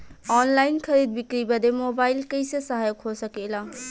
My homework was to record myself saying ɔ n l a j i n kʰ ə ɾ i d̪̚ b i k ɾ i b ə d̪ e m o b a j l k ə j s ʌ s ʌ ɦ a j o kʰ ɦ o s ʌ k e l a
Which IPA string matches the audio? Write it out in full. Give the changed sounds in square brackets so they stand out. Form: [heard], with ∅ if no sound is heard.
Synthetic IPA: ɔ n l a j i n kʰ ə ɾ i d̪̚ b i k ɾ i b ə d̪ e m o b a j l k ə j s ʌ s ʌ ɦ a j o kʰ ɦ o s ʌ k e l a